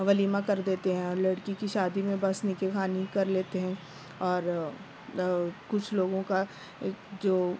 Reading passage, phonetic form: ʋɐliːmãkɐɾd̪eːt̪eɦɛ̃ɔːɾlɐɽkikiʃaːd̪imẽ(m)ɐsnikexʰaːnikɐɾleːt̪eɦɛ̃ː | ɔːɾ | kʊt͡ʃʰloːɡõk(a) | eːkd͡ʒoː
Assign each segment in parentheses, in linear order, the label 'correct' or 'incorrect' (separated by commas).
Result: incorrect, correct